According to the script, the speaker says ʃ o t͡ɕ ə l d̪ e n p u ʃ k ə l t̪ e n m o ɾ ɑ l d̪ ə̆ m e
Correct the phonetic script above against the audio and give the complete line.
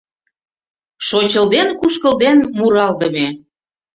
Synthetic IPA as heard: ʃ o t͡ɕ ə l d̪ e n k u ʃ k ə l d̪ e n m u ɾ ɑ l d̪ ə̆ m e